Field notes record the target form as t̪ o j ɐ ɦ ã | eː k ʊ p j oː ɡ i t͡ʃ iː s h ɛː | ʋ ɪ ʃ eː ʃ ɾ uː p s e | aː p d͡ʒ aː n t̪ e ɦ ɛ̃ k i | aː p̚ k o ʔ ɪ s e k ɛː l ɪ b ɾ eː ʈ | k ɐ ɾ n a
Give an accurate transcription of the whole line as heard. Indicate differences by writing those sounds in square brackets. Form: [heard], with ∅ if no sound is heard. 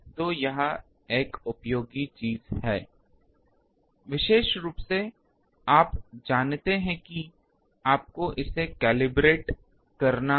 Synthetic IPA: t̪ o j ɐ ɦ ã | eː k ʊ p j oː ɡ i t͡ʃ iː [z] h ɛː | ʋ ɪ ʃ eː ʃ ɾ uː p s e | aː p d͡ʒ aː n t̪ e ɦ ɛ̃ k i | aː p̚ k o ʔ ɪ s e k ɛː l ɪ b ɾ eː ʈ | k ɐ ɾ n a